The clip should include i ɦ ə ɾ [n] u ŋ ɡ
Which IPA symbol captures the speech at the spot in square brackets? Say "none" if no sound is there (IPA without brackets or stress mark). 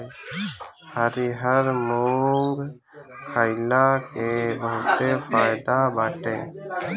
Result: m